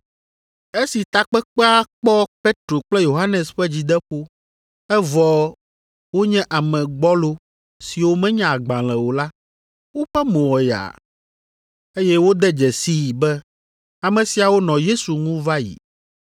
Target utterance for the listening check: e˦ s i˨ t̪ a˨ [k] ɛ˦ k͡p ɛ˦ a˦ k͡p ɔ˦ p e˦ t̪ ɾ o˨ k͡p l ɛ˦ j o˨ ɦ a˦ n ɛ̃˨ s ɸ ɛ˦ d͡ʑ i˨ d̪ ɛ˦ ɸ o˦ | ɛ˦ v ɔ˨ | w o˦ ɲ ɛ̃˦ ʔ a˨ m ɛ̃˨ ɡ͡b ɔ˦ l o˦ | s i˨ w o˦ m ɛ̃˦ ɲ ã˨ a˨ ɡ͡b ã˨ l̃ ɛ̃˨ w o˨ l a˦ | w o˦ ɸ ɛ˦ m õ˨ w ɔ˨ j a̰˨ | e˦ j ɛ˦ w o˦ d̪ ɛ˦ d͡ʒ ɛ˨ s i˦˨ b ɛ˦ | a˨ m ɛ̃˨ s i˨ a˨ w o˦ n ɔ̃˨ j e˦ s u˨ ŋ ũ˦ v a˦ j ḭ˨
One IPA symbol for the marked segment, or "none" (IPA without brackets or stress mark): k͡p